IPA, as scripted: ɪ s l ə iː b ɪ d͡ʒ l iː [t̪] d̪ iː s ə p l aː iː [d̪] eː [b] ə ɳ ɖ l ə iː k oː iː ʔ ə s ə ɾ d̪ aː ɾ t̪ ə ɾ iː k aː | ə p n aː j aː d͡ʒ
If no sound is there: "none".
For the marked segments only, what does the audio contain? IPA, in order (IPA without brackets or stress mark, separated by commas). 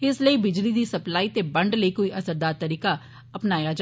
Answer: none, t̪, b